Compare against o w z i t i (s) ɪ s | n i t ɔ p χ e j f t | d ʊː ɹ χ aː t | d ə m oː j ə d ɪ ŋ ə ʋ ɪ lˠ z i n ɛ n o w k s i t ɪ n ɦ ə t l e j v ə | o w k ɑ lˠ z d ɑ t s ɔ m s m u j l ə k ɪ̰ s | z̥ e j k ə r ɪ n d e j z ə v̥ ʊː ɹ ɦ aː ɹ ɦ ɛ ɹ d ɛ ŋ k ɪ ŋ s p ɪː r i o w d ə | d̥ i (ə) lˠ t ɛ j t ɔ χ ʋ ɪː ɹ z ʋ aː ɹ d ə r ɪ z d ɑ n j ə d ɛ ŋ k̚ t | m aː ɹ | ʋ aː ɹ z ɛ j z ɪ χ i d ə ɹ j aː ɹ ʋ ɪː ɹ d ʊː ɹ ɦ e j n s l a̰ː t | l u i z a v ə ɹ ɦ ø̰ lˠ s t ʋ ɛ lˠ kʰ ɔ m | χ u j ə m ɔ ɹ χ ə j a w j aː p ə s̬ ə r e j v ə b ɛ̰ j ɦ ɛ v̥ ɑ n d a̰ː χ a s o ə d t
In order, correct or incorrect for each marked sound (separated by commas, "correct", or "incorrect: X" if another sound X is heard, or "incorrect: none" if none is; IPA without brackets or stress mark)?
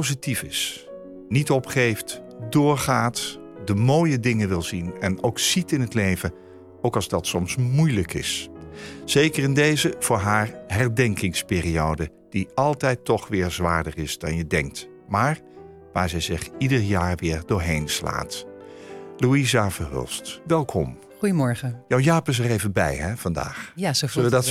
incorrect: f, incorrect: ɑ